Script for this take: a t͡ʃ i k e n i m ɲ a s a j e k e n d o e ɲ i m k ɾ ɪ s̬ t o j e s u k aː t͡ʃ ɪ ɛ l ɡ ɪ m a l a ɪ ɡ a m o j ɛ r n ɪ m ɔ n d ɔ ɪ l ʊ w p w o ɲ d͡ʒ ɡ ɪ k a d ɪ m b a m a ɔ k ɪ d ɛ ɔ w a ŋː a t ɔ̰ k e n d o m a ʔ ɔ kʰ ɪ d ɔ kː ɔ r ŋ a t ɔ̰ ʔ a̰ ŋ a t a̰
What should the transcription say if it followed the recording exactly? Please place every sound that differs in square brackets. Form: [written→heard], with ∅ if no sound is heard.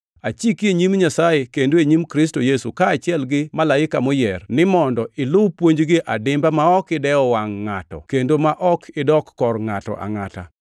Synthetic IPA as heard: a t͡ʃ i k e [n→ɲ] i m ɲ a s a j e k e n d o e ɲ i m k ɾ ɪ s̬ t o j e s u k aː t͡ʃ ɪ ɛ l ɡ ɪ m a l a ɪ [ɡ→k] a m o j ɛ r n ɪ m ɔ n d ɔ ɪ l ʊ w p w o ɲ d͡ʒ ɡ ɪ [k→ʔ] a d ɪ m b a m a ɔ k ɪ d ɛ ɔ w a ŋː a t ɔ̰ k e n d o m a ʔ ɔ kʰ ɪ d ɔ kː ɔ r ŋ a t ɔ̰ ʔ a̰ ŋ a t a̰